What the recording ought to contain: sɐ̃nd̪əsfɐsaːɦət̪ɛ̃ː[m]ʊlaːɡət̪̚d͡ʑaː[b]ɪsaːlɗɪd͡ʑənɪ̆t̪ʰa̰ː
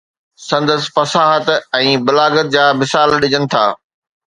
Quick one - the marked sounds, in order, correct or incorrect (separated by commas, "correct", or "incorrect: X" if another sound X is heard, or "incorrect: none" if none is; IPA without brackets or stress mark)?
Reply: incorrect: b, incorrect: m